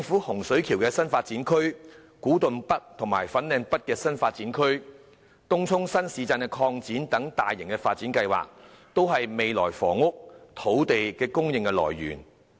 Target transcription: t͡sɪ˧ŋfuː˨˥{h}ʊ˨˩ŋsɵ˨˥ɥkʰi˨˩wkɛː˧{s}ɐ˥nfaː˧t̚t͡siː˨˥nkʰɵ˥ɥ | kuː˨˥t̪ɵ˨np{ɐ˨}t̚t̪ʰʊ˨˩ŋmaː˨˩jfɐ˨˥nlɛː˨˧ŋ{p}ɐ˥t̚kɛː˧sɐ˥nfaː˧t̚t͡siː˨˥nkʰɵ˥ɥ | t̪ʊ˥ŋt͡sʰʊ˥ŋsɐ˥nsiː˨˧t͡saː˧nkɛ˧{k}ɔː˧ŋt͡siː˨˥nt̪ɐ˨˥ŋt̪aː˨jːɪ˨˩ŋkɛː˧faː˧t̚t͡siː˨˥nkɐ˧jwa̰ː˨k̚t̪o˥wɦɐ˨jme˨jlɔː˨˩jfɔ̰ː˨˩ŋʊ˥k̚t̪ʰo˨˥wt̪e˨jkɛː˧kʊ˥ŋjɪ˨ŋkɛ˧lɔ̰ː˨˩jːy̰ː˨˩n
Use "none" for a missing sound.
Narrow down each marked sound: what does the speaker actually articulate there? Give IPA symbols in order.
h, s, ɐ˥, p, kʰ

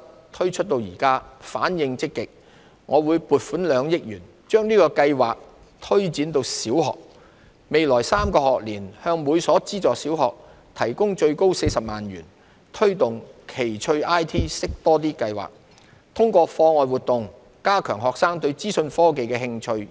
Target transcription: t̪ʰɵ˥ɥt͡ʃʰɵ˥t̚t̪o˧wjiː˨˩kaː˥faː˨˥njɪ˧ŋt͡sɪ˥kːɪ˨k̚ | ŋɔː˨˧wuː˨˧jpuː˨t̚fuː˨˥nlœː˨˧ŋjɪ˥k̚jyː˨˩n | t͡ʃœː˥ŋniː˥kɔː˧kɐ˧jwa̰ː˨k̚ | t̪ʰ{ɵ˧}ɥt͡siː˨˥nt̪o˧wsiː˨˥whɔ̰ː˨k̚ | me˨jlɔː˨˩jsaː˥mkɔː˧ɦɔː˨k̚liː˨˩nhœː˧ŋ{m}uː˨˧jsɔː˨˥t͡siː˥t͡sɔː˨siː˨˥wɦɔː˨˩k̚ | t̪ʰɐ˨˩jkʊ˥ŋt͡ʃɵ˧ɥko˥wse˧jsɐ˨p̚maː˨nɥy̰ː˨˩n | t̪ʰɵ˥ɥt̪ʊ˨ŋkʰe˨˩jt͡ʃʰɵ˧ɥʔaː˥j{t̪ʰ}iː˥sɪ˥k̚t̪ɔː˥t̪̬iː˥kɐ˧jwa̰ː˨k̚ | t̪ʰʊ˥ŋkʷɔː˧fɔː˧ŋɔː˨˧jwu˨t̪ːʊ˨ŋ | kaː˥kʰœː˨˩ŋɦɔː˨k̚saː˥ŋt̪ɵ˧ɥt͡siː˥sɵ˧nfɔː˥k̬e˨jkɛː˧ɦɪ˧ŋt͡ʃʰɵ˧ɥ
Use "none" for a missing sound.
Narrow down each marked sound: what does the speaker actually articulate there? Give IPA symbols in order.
ɵ˥, m, t̪ʰ

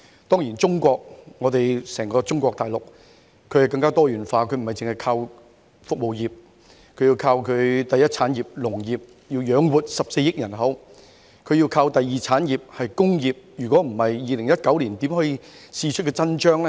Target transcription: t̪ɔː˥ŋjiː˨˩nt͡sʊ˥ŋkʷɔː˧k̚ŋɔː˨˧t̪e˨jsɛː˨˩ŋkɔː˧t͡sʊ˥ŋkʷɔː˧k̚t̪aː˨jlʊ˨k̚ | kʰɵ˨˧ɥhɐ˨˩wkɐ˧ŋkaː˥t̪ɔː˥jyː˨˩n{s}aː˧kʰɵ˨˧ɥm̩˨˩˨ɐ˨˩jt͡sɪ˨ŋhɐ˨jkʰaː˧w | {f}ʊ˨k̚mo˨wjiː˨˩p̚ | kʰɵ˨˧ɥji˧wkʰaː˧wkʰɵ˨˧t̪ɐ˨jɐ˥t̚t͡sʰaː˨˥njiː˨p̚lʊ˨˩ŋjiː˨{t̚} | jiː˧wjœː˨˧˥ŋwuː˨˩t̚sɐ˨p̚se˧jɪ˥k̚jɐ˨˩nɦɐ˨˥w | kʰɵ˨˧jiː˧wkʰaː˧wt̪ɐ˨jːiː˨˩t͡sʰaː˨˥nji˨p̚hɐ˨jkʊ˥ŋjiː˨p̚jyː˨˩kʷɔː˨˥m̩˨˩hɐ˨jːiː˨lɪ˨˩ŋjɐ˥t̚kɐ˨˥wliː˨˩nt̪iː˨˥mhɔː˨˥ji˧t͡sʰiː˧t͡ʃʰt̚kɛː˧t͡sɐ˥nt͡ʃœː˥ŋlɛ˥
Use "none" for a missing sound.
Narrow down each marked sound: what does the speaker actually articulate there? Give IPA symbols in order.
f, f, p̚

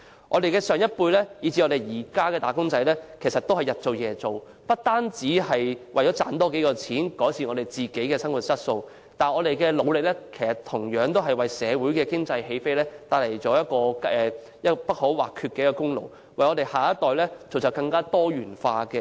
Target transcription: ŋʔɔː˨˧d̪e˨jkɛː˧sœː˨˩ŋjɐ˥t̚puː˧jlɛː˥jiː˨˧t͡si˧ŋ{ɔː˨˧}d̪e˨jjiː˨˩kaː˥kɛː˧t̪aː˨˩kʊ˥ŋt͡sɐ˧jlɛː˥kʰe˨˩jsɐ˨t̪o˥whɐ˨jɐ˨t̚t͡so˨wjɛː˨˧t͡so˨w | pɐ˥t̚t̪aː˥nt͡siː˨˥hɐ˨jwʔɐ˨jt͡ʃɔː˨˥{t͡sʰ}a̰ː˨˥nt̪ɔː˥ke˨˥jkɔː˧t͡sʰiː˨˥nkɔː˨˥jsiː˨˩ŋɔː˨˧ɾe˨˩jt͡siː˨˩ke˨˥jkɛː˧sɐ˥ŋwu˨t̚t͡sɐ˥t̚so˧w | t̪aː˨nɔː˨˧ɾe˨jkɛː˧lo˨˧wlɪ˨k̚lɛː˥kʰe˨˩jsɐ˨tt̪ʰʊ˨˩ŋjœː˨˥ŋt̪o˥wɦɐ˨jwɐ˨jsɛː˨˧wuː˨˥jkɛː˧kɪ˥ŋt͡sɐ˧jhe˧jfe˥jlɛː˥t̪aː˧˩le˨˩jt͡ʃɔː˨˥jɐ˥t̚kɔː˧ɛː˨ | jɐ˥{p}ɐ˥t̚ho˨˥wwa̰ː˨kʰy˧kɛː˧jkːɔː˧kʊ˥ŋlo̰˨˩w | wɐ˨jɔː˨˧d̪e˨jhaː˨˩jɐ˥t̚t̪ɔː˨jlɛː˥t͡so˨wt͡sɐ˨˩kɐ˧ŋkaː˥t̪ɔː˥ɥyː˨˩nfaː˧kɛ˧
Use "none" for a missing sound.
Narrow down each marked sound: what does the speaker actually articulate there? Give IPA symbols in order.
ɔ˨˧, t͡s, p

